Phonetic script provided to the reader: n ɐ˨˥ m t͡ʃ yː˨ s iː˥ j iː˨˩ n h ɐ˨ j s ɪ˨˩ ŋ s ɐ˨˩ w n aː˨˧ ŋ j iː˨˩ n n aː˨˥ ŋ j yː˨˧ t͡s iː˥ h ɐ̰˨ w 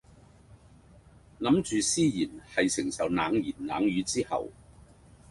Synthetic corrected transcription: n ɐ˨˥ m t͡ʃ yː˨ s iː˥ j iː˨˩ n h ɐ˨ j s ɪ˨˩ ŋ s ɐ˨˩ w n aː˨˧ ŋ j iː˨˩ n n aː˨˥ ŋ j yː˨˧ t͡s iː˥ h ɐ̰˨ w